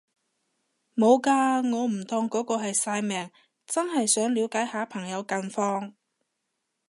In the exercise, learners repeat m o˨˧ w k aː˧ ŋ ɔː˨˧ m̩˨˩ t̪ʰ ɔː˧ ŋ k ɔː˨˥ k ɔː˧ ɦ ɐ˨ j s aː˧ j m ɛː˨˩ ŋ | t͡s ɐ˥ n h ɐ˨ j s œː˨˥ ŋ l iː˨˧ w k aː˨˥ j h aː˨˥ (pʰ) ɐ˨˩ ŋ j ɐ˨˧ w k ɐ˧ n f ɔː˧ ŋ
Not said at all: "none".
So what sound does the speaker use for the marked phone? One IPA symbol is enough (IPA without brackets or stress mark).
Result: pʰ